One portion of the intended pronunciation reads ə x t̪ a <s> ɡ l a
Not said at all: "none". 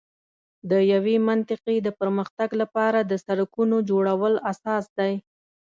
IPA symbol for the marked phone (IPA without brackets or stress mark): none